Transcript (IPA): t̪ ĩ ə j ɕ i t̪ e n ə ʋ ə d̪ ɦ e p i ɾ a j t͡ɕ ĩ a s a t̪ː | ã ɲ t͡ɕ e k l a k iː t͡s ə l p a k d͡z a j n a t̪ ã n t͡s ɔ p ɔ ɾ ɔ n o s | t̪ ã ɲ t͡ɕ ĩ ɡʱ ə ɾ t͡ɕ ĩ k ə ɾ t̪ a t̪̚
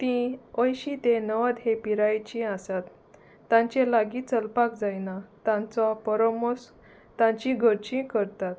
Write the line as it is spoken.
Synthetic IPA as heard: t̪ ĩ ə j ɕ i t̪ e n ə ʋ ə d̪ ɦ e p i ɾ a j t͡ɕ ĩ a s a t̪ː | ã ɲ t͡ɕ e l a ɡ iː t͡s ə l p a k d͡z a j n a t̪ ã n t͡s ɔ p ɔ ɾ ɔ m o s | t̪ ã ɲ t͡ɕ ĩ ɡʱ ə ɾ t͡ɕ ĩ k ə ɾ t̪ a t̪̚